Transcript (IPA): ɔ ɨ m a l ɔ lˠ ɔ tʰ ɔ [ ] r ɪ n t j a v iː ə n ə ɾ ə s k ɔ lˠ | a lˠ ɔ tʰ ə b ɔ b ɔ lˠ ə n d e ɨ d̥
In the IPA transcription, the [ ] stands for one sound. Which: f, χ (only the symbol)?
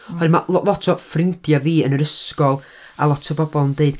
f